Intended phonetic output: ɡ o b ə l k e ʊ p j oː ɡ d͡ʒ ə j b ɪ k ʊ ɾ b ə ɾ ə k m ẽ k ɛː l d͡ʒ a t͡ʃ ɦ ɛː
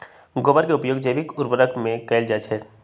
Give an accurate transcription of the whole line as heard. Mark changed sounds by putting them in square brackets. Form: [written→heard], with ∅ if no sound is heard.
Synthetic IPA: ɡ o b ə [l→ɾ] k e ʊ p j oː ɡ d͡ʒ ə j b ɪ k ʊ ɾ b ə ɾ ə k m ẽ k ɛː l d͡ʒ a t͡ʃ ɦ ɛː